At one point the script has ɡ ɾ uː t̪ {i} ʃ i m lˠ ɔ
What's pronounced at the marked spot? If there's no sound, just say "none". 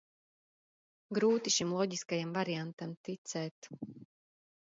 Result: i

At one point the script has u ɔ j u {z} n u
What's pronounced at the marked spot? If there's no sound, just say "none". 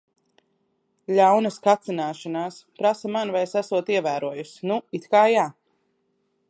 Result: s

